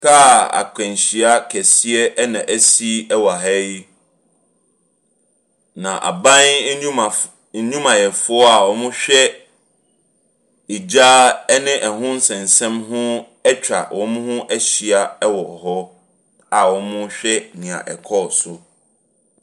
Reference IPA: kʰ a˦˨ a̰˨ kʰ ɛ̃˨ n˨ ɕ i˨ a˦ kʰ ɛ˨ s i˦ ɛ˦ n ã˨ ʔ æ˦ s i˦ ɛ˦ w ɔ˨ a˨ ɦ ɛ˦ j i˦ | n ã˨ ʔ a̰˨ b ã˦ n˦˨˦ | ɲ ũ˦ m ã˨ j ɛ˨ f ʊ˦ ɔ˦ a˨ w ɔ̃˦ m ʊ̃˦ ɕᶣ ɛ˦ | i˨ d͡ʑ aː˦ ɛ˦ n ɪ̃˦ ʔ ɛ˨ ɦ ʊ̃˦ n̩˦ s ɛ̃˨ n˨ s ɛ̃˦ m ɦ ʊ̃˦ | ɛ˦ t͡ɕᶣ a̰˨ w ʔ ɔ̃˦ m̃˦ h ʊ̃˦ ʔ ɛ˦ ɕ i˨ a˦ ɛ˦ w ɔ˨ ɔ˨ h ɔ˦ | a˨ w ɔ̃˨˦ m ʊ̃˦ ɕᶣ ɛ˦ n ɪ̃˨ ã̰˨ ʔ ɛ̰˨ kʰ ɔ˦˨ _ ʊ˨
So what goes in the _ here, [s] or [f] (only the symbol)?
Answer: s